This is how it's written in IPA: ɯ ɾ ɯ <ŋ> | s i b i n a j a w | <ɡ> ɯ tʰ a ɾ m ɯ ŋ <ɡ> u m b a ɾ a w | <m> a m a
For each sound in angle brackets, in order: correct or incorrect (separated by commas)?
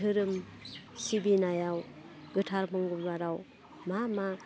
incorrect, correct, correct, correct